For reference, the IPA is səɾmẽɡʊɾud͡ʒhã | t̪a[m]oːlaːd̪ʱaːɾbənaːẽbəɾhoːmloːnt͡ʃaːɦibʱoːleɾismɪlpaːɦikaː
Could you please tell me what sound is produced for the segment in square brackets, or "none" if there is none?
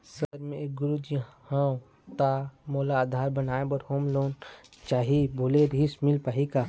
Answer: m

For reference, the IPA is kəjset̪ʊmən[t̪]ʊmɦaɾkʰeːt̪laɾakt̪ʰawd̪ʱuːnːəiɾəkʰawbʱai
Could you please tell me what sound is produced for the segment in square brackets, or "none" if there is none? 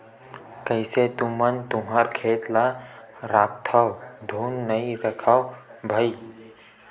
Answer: t̪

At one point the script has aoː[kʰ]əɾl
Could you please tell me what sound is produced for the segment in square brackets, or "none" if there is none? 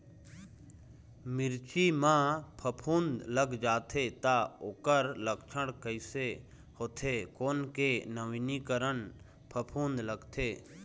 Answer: k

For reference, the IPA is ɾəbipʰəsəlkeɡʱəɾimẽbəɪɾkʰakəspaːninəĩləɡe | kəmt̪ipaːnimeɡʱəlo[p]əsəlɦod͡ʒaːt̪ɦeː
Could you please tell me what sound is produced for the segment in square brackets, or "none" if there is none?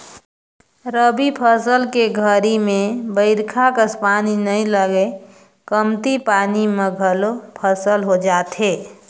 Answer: pʰ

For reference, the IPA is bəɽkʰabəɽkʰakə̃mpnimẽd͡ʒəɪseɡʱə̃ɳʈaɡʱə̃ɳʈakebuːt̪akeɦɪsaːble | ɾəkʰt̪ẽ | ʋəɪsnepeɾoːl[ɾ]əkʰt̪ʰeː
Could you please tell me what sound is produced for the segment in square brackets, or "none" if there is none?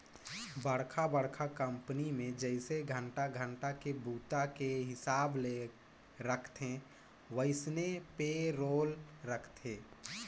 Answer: ɾ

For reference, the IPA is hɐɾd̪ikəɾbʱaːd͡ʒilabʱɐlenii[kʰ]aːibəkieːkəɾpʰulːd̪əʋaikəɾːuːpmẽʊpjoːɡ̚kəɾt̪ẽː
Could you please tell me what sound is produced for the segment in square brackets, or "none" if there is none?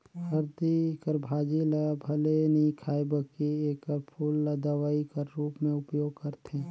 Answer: kʰ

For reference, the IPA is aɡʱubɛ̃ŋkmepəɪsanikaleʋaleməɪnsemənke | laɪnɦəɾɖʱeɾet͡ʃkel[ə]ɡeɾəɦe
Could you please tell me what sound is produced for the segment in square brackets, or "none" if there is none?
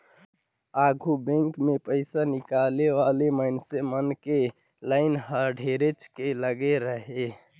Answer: ə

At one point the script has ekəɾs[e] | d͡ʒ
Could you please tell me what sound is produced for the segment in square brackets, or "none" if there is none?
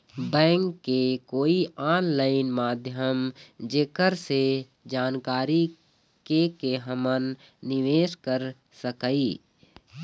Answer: e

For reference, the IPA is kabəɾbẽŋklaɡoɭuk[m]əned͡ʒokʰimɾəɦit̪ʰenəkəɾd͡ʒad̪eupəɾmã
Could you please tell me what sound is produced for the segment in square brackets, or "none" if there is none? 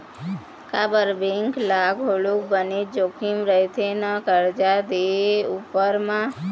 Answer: b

